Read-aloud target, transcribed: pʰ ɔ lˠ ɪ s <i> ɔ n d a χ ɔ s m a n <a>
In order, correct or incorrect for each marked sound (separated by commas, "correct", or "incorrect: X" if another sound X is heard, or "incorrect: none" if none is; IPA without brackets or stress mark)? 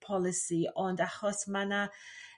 correct, correct